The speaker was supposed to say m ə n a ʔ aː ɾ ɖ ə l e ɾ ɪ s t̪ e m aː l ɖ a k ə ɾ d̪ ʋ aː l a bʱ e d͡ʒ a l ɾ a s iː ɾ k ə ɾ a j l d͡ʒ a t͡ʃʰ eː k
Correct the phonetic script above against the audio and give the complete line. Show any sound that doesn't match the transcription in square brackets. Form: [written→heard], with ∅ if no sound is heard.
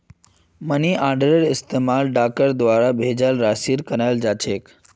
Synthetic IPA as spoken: m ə n [a→i] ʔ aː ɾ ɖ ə [l→ɾ] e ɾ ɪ s t̪ e m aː l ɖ a k ə ɾ d̪ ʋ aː [l→ɾ] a bʱ e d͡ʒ a l ɾ a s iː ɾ k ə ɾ a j l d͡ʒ a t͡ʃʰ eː k